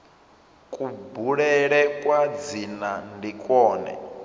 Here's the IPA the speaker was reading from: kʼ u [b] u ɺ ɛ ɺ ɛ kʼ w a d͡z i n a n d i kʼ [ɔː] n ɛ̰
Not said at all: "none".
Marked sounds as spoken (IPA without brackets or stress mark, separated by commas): b, ɔː